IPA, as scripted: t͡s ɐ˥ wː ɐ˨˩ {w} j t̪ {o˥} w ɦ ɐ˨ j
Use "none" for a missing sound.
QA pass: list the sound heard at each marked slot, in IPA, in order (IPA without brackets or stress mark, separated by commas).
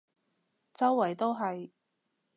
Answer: none, o˥